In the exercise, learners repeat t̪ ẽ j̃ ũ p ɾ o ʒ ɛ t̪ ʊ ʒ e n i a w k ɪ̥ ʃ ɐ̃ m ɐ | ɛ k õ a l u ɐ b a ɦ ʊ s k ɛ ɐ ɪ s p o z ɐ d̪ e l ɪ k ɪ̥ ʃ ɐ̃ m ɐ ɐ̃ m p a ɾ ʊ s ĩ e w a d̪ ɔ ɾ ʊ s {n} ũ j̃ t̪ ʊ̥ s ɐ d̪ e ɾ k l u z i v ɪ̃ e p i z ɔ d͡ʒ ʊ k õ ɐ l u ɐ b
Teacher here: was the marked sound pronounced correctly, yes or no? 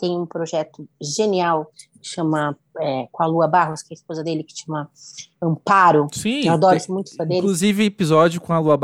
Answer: no